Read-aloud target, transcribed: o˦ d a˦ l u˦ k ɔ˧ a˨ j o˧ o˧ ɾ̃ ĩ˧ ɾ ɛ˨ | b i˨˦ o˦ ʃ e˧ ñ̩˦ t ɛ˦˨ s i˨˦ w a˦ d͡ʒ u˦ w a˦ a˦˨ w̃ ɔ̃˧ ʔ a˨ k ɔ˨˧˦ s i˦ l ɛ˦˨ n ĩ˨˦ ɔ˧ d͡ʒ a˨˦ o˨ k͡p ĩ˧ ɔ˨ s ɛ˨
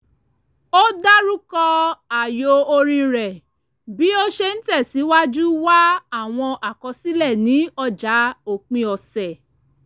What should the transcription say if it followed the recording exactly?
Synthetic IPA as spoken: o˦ d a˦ ɾ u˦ k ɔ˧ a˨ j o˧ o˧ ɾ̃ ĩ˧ ɾ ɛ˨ | b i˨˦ o˦ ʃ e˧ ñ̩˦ t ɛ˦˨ s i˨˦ w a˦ d͡ʒ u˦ w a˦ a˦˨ w̃ ɔ̃˧ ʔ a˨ k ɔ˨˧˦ s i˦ l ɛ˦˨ n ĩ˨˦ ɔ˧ d͡ʒ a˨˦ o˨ k͡p ĩ˧ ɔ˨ s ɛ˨

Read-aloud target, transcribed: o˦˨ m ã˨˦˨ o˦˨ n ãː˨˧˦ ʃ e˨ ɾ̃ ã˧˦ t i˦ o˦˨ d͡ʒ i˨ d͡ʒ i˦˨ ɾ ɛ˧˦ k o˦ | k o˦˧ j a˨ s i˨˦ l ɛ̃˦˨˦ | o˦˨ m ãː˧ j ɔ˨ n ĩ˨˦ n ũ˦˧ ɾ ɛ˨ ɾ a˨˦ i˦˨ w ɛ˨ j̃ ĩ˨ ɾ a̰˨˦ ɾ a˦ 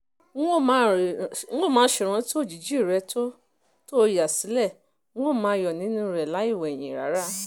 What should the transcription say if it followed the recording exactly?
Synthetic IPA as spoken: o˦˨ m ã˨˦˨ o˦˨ m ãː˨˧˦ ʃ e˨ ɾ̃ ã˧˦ t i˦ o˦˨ d͡ʒ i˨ d͡ʒ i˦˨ ɾ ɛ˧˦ t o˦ | t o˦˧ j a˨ s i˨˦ l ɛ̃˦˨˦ | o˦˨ m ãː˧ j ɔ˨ n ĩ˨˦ n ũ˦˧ ɾ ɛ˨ l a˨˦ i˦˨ w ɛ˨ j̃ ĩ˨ ɾ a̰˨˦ ɾ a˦

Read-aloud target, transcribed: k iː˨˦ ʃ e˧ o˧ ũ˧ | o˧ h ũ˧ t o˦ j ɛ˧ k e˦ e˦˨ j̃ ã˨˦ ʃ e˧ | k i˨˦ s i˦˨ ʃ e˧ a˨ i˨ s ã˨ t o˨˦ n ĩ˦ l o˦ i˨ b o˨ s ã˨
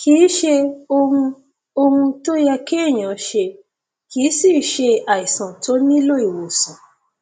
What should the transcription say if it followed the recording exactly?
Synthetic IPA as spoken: k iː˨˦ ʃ e˧ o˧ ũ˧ | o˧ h ũ˧ t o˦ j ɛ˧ k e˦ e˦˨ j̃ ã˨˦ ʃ e˧ | k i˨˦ s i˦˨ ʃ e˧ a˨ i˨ s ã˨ t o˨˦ n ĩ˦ l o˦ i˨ w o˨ s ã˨

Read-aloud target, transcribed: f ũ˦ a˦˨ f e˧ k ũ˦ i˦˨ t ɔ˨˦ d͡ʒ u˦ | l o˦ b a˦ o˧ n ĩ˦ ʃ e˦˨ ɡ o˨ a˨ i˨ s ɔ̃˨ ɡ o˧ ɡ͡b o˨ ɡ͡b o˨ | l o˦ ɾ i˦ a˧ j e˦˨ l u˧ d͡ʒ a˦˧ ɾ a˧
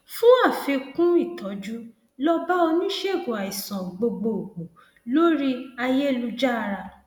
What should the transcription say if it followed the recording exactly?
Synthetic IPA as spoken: f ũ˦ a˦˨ f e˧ k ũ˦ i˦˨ t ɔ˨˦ d͡ʒ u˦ | l ɔ˦ b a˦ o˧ n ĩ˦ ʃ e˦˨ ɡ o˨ a˨ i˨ s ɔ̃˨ ɡ͡b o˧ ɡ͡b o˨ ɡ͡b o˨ | l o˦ ɾ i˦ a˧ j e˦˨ l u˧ d͡ʒ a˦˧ ɾ a˧

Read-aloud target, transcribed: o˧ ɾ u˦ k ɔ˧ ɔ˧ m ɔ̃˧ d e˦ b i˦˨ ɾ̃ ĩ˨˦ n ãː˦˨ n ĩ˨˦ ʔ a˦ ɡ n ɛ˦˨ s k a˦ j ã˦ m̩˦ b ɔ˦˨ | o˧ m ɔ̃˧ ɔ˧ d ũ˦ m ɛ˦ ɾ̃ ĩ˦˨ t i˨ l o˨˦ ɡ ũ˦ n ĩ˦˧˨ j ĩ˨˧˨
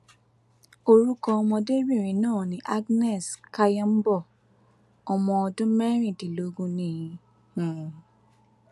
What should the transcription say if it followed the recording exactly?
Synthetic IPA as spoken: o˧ ɾ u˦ k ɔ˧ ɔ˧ m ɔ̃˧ d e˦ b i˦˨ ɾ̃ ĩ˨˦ n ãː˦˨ n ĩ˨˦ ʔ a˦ ɡ n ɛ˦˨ s k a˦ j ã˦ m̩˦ b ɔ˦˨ | ɔ˧ m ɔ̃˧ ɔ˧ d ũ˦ m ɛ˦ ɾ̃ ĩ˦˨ t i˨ l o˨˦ ɡ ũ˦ n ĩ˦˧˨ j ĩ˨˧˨

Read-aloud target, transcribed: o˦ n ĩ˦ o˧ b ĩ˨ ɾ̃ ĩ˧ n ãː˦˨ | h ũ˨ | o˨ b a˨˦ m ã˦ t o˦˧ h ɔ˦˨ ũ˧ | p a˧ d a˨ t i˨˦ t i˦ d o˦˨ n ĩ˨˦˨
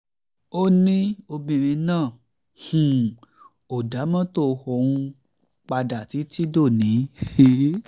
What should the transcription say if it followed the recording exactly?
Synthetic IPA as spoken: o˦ n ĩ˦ o˧ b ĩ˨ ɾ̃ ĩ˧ n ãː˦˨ | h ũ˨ | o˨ d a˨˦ m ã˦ t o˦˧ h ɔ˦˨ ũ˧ | k͡p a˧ d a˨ t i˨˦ t i˦ d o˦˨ n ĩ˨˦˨

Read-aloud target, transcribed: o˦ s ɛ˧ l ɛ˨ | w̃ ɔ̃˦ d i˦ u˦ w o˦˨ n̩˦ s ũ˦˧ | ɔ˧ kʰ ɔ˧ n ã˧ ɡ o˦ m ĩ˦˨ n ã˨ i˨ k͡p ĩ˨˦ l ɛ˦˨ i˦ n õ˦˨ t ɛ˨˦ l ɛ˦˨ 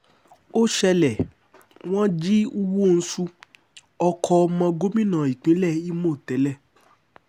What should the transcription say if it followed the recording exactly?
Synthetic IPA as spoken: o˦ ʃ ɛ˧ l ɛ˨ | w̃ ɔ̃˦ d͡ʒ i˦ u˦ w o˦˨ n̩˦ s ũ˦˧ | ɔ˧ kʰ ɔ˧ m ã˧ ɡ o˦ m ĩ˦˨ n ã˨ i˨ k͡p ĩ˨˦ l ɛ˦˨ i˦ m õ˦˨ t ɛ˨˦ l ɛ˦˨

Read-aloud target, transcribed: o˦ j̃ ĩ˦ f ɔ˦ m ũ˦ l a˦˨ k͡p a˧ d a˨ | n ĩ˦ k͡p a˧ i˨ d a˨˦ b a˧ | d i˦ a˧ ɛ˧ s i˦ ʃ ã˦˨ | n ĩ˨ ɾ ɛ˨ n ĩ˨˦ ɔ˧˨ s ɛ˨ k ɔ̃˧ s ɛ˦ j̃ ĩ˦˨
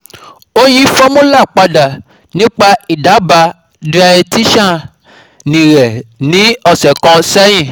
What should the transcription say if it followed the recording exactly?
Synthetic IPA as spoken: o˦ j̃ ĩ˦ f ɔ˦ m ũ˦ l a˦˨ k͡p a˧ d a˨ | n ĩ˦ k͡p a˧ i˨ d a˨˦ b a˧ | d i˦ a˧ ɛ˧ t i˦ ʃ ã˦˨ | n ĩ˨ ɾ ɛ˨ n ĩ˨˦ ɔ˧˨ s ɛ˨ k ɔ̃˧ s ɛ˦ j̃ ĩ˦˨

